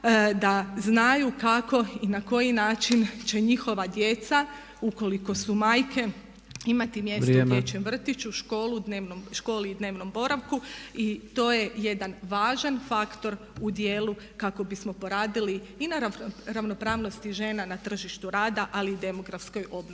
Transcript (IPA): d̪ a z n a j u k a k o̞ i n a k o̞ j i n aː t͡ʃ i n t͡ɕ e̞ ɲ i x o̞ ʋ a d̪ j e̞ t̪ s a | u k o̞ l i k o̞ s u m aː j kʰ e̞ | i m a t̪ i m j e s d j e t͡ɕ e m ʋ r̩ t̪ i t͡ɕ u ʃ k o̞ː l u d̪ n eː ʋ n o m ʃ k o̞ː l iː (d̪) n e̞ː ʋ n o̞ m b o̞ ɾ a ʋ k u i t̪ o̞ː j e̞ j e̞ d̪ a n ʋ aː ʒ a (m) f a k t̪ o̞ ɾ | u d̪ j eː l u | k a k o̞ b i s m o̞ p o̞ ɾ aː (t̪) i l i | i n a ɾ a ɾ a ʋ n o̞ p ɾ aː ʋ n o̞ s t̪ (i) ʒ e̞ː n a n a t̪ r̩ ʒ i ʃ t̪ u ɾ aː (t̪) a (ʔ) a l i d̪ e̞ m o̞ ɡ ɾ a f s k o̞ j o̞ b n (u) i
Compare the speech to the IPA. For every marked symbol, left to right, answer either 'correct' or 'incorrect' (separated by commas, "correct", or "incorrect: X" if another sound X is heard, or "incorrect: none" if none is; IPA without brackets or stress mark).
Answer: correct, incorrect: n, incorrect: d̪, correct, incorrect: d̪, correct, incorrect: o